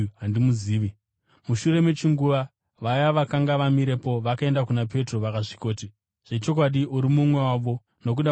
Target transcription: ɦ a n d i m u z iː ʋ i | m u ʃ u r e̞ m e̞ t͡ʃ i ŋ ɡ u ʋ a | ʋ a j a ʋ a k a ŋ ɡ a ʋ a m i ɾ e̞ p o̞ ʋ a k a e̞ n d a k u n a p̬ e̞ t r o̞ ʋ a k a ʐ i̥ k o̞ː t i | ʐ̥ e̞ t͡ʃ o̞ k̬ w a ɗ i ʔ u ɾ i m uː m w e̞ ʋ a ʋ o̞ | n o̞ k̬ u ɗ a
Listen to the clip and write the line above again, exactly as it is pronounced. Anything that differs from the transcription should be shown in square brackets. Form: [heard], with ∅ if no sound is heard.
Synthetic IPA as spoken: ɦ a n d i m u z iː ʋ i | m u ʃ u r e̞ m e̞ t͡ʃ i ŋ ɡ u ʋ a | ʋ a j a ʋ a k a ŋ ɡ a ʋ a m i ɾ e̞ p o̞ ʋ a k a e̞ n d a k u n a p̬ e̞ t r o̞ ʋ a k a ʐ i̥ k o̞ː t i | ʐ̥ e̞ t͡ʃ o̞ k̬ w a ɗ i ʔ u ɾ i m [u] m w e̞ [w] a ʋ o̞ | n o̞ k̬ u ɗ a